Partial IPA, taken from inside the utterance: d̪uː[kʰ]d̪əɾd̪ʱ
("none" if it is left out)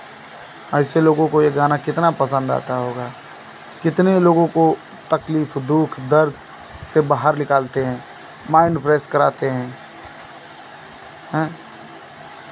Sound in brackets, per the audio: kʰ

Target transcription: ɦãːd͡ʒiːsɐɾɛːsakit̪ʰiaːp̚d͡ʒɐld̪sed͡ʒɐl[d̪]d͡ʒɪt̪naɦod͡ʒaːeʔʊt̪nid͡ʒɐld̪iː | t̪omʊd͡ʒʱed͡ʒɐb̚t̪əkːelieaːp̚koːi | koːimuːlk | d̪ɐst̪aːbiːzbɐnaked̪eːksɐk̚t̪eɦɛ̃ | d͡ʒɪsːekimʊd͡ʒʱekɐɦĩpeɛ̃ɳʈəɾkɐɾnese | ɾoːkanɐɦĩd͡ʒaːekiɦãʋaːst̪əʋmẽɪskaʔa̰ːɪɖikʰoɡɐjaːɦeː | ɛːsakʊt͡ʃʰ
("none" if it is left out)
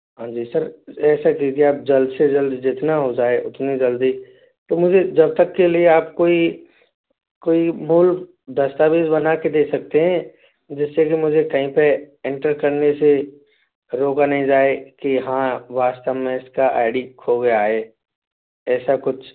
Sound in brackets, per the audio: d̪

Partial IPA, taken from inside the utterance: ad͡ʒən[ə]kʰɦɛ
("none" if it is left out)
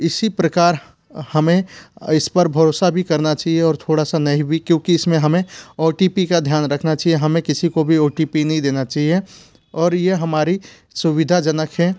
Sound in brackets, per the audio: ə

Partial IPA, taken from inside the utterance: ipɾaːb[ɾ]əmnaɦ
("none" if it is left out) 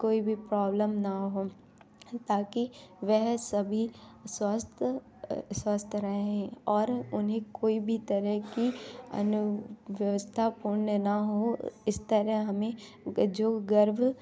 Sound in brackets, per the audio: l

